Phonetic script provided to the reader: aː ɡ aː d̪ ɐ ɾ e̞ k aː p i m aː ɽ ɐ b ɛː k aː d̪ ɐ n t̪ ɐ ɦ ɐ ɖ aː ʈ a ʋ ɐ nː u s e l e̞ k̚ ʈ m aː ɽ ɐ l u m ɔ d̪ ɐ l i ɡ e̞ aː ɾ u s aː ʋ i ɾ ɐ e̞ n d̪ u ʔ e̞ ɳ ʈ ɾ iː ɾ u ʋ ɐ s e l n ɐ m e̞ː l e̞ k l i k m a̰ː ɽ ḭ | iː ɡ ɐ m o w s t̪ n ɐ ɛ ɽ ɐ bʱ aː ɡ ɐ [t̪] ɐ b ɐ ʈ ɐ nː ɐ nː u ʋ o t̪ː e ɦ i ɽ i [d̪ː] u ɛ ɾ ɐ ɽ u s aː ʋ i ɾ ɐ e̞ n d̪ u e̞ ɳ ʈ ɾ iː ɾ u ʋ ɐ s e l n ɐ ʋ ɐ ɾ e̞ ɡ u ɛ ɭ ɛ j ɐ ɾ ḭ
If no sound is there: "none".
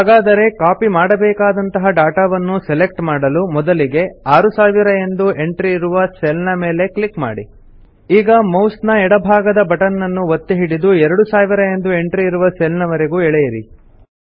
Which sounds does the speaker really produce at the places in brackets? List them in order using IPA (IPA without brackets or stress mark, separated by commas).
d̪, d̪